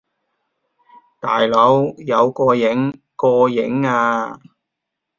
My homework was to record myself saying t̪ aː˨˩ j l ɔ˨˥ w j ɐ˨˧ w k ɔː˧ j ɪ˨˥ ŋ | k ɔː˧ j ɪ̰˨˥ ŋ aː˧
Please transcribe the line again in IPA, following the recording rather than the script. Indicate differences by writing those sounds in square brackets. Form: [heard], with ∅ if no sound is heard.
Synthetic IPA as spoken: t̪ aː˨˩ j l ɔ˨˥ w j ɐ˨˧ w k ɔː˧ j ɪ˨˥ ŋ | k ɔː˧ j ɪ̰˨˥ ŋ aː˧